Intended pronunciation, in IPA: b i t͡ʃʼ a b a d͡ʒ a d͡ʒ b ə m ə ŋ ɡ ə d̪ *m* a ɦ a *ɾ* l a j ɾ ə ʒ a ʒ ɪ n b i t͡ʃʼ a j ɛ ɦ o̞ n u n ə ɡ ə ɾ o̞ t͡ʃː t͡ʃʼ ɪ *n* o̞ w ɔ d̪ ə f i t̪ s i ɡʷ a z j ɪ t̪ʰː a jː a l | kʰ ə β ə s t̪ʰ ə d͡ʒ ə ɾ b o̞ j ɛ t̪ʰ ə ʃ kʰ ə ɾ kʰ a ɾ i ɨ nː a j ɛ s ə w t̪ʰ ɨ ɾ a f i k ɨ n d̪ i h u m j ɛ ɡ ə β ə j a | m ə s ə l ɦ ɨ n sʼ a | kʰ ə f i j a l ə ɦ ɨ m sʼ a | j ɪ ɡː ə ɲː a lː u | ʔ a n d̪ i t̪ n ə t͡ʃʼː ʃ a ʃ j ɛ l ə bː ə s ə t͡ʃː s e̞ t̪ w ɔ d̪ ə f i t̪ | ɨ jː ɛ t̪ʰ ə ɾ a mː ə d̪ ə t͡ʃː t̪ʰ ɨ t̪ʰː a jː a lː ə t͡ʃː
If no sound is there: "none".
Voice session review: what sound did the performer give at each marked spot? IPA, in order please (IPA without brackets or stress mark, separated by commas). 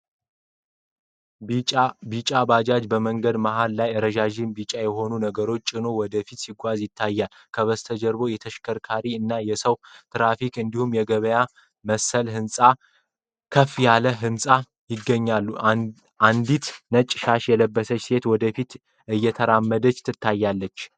m, l, n